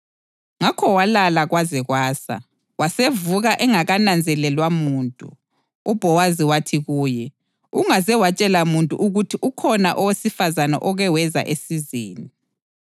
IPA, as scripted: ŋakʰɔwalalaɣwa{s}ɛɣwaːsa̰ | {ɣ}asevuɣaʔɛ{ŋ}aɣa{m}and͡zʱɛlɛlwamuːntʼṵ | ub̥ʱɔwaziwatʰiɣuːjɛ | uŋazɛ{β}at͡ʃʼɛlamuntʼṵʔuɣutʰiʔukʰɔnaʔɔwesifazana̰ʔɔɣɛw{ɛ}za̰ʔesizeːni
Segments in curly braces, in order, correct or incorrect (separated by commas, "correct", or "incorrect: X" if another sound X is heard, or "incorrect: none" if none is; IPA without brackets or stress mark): incorrect: z, incorrect: w, correct, incorrect: n, incorrect: w, correct